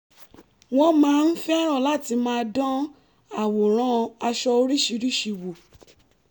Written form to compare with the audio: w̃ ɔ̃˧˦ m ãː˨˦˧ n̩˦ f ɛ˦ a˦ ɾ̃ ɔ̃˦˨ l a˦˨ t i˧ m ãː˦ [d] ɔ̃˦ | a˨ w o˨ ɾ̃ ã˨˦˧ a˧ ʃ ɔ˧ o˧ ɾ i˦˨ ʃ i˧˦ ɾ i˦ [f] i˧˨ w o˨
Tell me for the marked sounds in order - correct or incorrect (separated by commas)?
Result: correct, incorrect